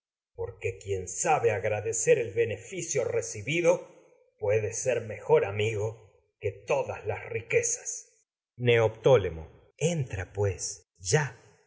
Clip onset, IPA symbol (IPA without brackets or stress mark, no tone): p